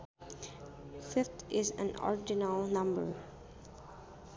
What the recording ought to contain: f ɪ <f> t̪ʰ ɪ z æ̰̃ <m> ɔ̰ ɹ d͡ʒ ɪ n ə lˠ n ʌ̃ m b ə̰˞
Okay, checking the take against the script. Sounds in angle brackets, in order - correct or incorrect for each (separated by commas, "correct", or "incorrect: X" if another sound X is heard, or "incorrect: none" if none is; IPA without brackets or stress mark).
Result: correct, incorrect: n